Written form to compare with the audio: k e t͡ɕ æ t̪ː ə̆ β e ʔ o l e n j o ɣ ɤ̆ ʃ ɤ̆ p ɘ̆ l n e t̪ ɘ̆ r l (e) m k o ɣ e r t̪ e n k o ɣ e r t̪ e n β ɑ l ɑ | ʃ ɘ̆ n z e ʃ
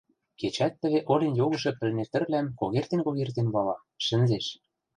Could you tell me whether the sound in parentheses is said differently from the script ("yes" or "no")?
yes